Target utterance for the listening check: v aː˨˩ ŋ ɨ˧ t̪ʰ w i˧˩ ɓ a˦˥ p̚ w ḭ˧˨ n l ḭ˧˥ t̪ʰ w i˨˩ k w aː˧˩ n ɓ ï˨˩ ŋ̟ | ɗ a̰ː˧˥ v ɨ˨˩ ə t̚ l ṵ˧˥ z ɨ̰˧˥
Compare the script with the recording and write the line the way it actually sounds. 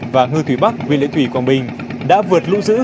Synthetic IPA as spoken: v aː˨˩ ŋ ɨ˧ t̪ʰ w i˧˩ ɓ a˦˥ k̚ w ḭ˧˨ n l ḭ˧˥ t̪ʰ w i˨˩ k w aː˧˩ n ɓ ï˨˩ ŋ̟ | ɗ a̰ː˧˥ v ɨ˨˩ ə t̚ l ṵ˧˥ z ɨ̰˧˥

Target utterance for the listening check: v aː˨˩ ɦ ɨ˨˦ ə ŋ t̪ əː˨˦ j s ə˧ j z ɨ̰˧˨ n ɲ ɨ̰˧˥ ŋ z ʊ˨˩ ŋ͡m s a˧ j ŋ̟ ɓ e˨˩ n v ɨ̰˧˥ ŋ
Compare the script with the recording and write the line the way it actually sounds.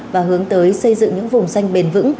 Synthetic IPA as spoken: v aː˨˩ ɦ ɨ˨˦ ə ŋ t̪ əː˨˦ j s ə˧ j z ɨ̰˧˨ ŋ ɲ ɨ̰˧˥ ŋ v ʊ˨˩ ŋ͡m s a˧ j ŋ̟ ɓ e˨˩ n v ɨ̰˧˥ ŋ

